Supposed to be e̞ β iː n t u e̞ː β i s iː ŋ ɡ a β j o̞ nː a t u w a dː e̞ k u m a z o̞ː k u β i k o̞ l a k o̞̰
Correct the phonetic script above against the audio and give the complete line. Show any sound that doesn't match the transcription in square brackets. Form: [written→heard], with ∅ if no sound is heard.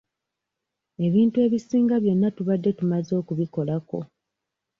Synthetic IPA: e̞ β iː n t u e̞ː β i s iː ŋ ɡ a β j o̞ nː a t u [w→β] a dː e̞ [k→t] u m a z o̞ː k u β i k o̞ l a k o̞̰